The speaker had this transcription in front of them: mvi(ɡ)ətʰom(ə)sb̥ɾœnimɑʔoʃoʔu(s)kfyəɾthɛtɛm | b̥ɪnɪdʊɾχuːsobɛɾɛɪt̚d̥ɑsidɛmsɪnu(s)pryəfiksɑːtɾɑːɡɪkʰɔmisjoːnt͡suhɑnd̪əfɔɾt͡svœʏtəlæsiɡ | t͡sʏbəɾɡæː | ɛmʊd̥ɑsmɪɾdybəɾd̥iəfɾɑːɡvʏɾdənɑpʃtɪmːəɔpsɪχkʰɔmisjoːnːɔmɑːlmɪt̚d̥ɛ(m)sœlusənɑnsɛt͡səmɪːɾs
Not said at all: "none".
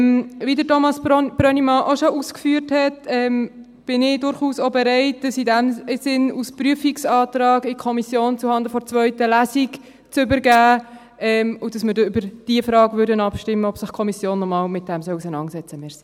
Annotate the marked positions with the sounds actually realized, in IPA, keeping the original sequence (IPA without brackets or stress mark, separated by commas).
d, ɑ, s, s, m